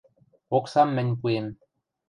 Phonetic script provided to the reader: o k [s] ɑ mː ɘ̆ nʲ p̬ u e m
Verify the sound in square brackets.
correct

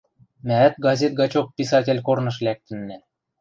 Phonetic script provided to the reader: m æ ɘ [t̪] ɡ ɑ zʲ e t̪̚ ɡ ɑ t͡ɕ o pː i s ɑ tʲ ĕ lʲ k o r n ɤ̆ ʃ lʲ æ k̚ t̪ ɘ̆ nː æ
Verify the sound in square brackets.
correct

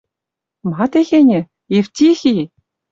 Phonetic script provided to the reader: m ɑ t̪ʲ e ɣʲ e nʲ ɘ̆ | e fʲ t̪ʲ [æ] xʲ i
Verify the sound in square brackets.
incorrect: i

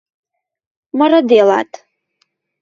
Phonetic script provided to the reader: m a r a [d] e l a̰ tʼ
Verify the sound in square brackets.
correct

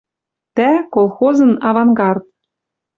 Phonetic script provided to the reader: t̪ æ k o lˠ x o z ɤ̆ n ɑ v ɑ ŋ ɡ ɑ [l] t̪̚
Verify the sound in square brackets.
incorrect: r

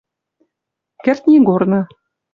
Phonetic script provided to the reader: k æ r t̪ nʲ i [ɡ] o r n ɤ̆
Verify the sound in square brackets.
correct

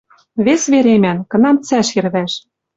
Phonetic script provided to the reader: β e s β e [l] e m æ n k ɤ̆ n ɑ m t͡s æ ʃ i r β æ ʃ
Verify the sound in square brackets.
incorrect: ɾ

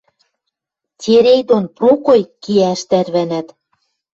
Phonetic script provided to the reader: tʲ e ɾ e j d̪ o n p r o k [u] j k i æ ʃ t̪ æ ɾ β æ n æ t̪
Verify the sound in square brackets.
incorrect: o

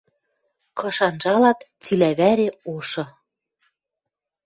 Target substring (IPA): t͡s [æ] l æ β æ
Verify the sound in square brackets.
incorrect: i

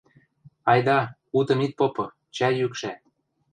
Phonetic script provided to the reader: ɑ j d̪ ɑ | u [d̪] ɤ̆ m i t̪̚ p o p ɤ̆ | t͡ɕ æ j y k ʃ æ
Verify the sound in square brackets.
incorrect: t̪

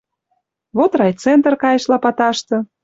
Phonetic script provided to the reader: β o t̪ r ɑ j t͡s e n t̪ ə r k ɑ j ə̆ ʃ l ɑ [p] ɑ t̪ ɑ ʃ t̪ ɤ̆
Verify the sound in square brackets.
correct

